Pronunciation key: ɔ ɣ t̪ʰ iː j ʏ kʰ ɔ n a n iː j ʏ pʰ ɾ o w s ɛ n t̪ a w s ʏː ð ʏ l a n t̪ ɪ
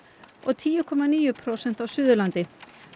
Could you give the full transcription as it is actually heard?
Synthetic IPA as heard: ɔ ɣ t̪ʰ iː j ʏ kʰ ɔ m a n iː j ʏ pʰ ɾ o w s ɛ n t̪ a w s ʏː ð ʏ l a n t̪ ɪ